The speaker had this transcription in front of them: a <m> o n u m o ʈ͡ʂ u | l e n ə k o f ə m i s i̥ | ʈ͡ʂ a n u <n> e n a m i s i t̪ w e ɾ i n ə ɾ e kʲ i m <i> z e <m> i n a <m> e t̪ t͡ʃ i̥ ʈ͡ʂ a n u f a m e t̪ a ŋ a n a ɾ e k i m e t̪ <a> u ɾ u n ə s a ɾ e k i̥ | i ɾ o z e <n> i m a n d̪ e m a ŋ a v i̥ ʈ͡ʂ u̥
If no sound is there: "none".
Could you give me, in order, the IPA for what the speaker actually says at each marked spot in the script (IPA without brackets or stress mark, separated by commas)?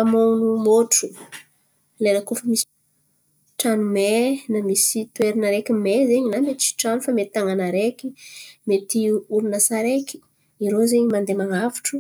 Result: m, m, e, ɲ, m, i, ɲ